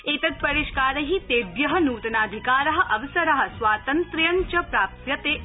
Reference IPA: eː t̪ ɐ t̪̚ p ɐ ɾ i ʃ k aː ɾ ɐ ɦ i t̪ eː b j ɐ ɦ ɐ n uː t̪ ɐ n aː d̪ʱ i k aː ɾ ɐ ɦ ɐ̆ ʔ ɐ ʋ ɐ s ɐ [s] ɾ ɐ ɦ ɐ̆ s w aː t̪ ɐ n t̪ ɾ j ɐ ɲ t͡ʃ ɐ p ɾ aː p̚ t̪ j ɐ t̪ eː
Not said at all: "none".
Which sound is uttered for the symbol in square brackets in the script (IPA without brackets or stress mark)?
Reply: none